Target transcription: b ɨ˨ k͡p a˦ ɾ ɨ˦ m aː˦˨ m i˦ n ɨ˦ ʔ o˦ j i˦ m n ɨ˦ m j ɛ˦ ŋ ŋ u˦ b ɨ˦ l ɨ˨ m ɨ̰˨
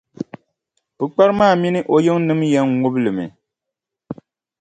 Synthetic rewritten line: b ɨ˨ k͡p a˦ ɾ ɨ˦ m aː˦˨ m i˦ n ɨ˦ ʔ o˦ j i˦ ŋ n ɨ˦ m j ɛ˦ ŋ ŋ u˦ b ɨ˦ l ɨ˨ m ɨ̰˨